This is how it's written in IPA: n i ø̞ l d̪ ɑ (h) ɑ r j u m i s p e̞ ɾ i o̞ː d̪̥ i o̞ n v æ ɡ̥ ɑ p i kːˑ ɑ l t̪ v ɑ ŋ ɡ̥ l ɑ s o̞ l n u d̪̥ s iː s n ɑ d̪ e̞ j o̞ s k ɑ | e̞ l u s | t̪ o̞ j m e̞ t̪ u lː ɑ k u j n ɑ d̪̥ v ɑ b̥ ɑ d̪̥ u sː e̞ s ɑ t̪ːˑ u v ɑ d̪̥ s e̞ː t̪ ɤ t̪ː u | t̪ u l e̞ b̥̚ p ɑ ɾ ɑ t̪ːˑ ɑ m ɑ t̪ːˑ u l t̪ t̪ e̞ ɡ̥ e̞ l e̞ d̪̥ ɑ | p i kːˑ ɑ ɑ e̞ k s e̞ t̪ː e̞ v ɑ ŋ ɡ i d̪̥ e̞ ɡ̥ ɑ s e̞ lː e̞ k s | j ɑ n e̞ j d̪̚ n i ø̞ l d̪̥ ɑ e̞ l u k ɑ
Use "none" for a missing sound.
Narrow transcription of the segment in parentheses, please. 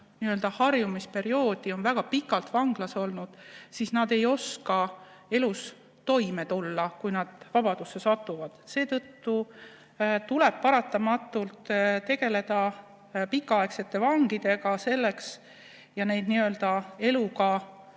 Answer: h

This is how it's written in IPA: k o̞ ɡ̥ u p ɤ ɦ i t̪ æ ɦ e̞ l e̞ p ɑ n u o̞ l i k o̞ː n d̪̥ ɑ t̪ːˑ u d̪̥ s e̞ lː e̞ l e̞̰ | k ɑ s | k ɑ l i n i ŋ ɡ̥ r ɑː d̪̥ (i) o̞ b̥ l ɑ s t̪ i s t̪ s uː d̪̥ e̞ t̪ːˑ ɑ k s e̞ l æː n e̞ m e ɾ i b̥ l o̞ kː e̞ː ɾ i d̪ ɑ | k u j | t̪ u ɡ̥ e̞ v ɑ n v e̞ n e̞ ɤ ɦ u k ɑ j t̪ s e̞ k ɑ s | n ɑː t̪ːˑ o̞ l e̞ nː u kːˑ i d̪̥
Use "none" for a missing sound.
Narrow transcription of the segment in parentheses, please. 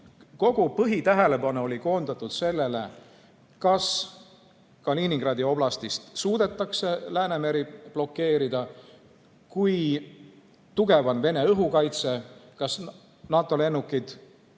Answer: i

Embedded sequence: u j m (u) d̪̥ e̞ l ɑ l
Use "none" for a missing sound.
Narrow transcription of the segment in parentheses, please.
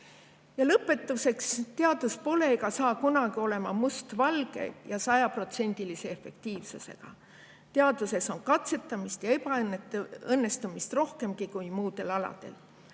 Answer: uː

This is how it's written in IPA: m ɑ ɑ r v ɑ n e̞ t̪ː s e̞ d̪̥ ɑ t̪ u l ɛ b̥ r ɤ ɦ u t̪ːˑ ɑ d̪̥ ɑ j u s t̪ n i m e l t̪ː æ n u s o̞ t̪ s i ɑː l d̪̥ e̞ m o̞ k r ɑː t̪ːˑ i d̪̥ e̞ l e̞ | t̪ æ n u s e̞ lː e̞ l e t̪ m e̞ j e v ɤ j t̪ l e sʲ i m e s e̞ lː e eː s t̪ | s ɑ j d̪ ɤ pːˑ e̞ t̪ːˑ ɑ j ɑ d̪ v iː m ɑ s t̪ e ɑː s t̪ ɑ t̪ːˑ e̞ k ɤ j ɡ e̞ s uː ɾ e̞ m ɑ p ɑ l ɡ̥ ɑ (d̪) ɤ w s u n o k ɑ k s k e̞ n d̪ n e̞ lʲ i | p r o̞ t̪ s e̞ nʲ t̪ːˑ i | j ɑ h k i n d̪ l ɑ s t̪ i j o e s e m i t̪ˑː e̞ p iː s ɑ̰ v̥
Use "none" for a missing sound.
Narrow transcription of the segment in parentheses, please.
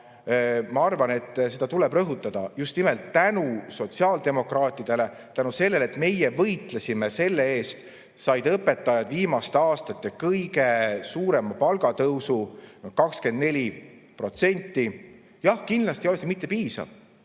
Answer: t̪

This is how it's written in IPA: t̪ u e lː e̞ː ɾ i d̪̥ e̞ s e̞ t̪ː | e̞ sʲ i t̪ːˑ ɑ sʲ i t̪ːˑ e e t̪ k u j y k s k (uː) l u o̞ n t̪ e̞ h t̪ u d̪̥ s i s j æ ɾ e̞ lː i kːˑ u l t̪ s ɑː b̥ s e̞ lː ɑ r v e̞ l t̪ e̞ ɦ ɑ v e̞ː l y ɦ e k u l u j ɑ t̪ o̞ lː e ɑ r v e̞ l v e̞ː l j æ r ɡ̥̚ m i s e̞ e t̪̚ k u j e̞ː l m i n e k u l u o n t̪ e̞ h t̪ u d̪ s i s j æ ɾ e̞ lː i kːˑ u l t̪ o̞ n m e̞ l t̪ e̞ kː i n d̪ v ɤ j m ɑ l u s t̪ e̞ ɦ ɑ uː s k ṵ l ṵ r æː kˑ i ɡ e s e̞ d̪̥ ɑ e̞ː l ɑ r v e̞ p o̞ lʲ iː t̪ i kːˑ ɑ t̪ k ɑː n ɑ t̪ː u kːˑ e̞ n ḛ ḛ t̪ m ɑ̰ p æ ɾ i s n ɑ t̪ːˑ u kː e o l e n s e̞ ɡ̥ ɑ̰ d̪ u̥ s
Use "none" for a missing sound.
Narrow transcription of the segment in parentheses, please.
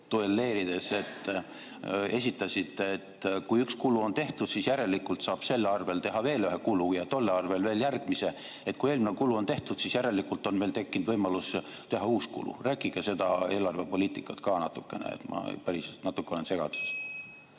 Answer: u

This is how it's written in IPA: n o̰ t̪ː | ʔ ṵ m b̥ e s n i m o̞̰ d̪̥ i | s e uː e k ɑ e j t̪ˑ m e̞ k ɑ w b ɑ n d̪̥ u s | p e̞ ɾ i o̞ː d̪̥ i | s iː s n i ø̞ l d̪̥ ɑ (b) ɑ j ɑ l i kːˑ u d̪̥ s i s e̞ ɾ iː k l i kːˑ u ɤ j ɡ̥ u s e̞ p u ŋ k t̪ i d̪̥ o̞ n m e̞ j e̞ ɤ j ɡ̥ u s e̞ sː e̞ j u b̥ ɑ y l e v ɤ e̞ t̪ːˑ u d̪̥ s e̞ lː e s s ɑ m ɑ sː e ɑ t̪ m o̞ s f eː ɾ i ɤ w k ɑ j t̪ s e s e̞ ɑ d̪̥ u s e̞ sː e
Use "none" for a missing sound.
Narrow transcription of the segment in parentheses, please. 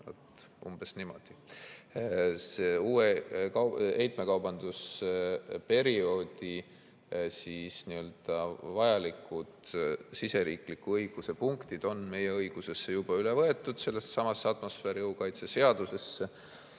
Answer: v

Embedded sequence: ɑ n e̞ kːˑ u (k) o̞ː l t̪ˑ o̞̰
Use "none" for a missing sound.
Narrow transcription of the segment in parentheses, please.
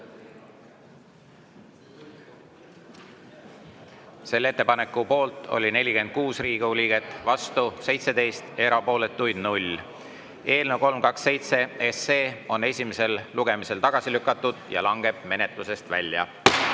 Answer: p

